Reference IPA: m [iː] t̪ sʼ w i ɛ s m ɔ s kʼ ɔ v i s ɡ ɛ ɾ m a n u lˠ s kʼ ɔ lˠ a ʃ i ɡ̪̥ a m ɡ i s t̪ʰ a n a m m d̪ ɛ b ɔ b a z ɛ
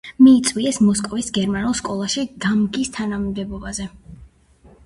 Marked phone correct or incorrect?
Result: correct